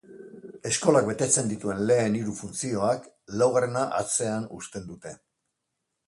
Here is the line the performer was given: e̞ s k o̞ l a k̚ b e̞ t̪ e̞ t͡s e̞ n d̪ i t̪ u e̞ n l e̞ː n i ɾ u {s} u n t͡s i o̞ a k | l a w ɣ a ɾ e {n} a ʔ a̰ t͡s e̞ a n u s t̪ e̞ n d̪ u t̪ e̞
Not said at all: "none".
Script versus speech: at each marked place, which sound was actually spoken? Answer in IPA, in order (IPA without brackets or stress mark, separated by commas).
f, n